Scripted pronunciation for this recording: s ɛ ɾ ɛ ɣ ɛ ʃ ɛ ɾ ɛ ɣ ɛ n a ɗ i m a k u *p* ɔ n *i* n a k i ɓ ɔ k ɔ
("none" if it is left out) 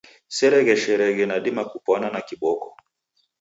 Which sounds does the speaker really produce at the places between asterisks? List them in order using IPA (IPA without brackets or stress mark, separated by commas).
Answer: p, a